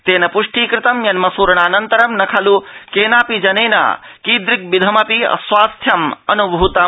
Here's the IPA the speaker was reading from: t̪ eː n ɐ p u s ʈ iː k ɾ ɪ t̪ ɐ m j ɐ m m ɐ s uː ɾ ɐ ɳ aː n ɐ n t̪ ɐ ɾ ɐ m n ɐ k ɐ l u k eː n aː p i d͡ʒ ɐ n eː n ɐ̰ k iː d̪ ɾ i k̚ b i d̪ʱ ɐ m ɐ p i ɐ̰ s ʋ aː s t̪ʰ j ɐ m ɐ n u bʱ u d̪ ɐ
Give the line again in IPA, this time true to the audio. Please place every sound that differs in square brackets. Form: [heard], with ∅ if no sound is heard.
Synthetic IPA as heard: t̪ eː n ɐ p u [ʂ] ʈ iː k ɾ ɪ t̪ ɐ m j ɐ [n] m ɐ s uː ɾ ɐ ɳ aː n ɐ n t̪ ɐ ɾ ɐ m n ɐ [kʰ] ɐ l u k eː n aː p i d͡ʒ ɐ n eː n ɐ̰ k iː d̪ ɾ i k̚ b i d̪ʱ ɐ m ɐ p i ɐ̰ s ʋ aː s t̪ʰ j ɐ m ɐ n u bʱ u [t̪] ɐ

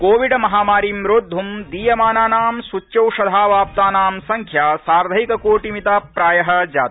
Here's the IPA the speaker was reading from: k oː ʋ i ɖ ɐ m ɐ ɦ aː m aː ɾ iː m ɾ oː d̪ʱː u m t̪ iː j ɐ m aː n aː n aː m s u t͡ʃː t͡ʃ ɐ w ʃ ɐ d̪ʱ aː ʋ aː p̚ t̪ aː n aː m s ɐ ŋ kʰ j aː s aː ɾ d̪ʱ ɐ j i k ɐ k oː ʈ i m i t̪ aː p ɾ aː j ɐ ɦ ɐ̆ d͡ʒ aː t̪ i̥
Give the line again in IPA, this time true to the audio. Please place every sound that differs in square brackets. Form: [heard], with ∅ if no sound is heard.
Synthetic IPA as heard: k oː ʋ i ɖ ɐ m ɐ ɦ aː m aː ɾ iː m ɾ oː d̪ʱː u m [d̪] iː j ɐ m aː n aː n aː m s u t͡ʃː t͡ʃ ɐ w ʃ ɐ d̪ʱ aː ʋ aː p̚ t̪ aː n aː m s ɐ ŋ kʰ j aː s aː ɾ d̪ʱ ɐ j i k ɐ k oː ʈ i m i t̪ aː p ɾ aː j ɐ ɦ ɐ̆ d͡ʒ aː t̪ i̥

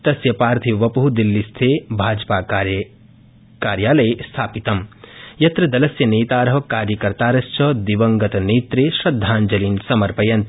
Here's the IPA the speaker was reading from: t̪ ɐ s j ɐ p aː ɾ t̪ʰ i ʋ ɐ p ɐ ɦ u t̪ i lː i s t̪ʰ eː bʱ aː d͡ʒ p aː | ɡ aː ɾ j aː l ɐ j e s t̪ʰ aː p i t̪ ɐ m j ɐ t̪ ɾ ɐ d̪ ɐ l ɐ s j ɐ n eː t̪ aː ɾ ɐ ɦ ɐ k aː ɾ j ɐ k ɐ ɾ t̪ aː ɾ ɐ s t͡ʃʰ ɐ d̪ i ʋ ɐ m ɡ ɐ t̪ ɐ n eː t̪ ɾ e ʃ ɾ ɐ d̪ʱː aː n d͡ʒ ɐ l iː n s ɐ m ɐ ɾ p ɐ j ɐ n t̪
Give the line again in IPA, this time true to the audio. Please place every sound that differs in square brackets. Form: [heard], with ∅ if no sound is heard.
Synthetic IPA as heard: t̪ ɐ s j ɐ p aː ɾ t̪ʰ i ʋ ɐ p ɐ ɦ u [d̪] i lː i s t̪ʰ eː bʱ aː d͡ʒ p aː | [k] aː ɾ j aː l ɐ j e s t̪ʰ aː p i t̪ ɐ m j ɐ t̪ ɾ ɐ d̪ ɐ l ɐ s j ɐ n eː t̪ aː ɾ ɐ ɦ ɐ k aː ɾ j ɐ k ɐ ɾ t̪ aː ɾ ɐ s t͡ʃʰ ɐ d̪ i ʋ ɐ [ŋ] ɡ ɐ t̪ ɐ n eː t̪ ɾ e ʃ ɾ ɐ d̪ʱː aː n d͡ʒ ɐ l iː n s ɐ m ɐ ɾ p ɐ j ɐ n t̪

